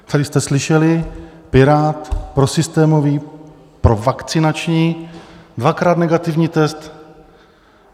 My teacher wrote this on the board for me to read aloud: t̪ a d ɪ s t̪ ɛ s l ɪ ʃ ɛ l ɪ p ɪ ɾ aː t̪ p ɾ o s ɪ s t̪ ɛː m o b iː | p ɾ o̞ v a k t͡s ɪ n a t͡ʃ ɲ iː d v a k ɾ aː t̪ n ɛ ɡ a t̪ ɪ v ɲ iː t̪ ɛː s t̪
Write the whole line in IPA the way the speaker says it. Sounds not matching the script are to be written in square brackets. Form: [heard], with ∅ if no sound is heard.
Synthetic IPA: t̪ a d ɪ s t̪ ɛ s l ɪ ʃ ɛ l ɪ p ɪ ɾ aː t̪ p ɾ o s ɪ s t̪ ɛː m o [v] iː | p ɾ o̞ v a k t͡s ɪ n a t͡ʃ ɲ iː d v a k ɾ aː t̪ n ɛ ɡ a t̪ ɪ v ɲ iː t̪ [ɛ] s t̪